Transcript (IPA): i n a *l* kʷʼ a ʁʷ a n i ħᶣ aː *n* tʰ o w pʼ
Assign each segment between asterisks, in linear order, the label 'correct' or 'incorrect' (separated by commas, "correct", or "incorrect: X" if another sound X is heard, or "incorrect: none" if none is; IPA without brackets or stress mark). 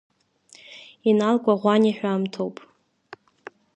correct, incorrect: m